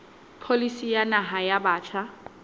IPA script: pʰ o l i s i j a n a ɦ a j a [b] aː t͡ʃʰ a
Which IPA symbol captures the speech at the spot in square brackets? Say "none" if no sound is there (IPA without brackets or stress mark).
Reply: b